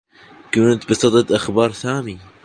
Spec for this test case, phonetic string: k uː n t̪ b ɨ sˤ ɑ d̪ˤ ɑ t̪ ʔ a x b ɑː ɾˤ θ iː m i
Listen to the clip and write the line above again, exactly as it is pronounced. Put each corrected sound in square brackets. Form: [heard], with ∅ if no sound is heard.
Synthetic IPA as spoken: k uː n t̪ b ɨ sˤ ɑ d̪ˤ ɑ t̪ ʔ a x b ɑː ɾˤ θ [aː] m i